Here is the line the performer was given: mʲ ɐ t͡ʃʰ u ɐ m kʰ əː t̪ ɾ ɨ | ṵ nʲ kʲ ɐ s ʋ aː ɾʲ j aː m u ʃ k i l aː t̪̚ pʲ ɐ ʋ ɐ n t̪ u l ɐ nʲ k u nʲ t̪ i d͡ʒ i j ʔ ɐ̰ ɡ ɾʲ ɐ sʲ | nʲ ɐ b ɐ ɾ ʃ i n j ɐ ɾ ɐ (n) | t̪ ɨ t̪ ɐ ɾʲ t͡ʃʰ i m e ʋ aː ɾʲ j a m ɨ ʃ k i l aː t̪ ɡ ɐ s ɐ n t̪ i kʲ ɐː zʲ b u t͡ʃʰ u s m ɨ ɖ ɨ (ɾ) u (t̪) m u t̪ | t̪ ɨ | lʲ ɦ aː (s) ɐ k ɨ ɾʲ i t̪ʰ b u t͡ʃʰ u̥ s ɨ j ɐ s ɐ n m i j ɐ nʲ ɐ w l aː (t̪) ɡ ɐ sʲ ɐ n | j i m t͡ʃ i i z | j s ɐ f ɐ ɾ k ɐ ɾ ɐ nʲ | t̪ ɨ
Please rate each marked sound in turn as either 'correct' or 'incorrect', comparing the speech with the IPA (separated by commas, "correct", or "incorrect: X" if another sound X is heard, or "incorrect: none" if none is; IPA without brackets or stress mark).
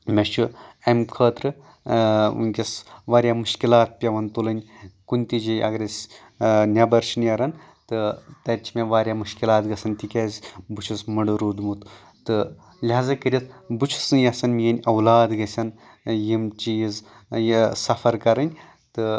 correct, correct, incorrect: d̪, incorrect: z, incorrect: d̪